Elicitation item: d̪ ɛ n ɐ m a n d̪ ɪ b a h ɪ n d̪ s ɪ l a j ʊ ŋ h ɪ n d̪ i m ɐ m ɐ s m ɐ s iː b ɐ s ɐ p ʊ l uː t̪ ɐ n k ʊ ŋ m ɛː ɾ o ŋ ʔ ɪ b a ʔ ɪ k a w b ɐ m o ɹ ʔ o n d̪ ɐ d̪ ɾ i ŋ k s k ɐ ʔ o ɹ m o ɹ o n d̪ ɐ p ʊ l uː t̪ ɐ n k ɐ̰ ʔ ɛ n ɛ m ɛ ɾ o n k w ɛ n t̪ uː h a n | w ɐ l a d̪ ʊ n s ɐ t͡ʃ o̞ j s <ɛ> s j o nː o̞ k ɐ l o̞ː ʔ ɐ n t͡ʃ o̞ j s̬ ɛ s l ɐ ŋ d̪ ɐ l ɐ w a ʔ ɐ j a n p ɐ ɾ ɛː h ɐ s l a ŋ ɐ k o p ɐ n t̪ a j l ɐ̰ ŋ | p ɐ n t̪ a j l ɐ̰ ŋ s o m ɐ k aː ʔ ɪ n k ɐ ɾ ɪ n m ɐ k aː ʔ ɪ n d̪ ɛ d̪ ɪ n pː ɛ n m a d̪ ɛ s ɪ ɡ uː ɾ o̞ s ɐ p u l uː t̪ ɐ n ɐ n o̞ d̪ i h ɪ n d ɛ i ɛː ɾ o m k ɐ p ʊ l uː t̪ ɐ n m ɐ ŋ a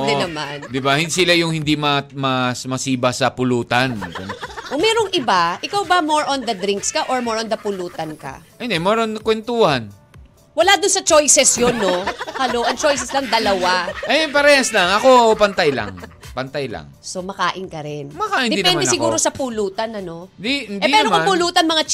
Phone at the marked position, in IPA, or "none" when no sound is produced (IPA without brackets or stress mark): ɛ